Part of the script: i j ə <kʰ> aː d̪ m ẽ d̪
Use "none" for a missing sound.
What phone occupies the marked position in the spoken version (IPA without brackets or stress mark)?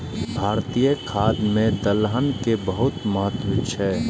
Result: kʰ